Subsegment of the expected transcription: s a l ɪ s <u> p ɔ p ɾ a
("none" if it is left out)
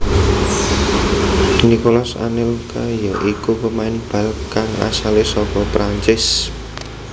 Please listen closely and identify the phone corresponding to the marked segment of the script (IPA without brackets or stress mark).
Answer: ɔ